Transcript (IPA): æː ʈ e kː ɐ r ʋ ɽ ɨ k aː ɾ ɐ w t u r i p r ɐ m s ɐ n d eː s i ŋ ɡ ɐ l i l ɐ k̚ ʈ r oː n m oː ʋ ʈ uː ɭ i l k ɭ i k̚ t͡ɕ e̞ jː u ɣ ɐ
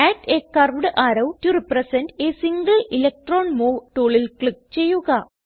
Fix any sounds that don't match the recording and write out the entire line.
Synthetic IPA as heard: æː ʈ e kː ɐ r ʋ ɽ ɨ ʔ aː ɾ ɐ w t u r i p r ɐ s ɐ n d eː s i ŋ ɡ ɐ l i l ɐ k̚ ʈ r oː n m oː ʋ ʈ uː ɭ i l k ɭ i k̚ t͡ɕ e̞ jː u ɣ ɐ